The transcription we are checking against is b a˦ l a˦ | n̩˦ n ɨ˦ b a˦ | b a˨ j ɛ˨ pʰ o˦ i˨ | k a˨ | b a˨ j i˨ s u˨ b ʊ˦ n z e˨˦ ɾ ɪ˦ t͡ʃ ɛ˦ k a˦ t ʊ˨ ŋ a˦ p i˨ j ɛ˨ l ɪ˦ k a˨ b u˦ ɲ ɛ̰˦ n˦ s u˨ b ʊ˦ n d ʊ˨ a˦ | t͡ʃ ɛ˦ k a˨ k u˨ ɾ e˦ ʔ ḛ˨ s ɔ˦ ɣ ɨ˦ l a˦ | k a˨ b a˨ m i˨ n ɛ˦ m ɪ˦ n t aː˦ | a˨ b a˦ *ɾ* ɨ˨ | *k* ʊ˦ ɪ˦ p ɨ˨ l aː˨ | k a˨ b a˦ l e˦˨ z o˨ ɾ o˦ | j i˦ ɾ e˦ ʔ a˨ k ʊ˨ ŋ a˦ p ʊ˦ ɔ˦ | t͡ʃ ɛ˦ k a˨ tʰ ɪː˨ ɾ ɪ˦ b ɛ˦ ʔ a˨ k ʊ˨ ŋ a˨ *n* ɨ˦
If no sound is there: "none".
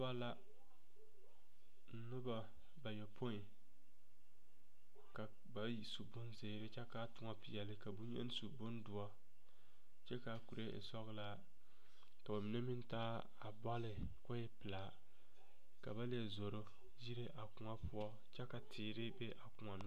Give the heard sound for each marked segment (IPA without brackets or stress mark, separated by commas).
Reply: l, k, n